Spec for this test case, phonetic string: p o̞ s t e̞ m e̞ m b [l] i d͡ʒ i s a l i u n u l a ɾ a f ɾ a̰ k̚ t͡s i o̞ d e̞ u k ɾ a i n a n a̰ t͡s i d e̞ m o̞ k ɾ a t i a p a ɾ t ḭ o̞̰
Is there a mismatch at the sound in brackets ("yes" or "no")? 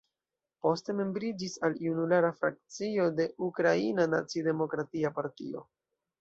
yes